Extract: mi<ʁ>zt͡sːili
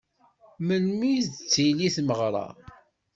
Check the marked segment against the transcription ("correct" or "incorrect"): incorrect